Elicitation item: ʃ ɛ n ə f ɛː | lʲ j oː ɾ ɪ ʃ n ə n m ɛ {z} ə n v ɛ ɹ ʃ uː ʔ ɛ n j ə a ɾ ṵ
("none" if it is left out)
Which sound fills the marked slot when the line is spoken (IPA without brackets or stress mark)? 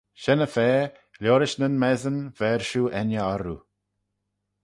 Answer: z